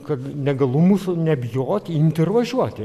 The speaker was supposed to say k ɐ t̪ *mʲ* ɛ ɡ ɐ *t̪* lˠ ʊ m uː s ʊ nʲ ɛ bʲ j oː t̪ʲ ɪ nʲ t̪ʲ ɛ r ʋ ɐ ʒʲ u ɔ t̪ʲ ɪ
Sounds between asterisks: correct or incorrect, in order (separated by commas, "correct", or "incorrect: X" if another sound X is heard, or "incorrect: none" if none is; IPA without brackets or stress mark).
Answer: incorrect: nʲ, incorrect: none